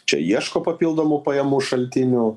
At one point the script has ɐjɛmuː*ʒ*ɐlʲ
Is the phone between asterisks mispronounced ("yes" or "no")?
yes